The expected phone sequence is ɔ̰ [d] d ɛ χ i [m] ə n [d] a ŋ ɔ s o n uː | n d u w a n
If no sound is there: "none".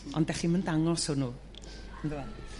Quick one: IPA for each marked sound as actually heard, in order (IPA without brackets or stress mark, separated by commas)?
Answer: n, m, d